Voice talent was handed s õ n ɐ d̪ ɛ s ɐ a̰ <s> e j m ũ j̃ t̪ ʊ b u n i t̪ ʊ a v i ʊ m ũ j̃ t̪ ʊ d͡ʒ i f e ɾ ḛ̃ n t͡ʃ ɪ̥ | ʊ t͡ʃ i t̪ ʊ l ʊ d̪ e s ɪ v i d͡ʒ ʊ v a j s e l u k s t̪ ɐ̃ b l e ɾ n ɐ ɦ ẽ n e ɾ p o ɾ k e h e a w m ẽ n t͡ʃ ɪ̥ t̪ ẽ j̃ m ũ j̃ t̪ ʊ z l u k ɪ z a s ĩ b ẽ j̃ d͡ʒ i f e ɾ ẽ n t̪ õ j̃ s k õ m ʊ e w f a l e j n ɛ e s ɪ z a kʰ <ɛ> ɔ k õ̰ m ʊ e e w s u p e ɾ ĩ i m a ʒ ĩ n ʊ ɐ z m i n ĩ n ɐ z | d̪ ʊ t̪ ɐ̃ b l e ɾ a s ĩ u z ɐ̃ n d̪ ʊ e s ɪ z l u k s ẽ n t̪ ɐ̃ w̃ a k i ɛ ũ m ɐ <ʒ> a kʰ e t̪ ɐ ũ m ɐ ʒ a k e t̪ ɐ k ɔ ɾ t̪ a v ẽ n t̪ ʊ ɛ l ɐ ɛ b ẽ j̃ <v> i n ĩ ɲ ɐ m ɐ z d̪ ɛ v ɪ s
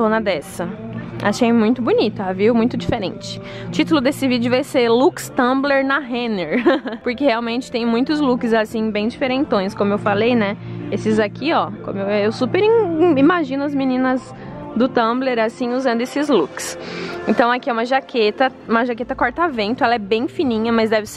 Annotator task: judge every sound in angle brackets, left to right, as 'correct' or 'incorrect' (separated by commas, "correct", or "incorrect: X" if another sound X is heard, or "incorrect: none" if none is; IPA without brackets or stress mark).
incorrect: ʃ, incorrect: i, correct, incorrect: f